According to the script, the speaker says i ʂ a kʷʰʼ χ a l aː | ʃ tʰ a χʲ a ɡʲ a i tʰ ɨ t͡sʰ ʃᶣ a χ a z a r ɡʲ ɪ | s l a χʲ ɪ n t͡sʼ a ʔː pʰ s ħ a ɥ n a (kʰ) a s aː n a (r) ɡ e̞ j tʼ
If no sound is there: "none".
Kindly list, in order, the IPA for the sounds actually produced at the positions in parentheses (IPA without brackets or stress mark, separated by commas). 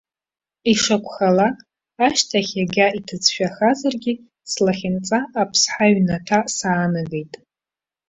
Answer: tʰ, none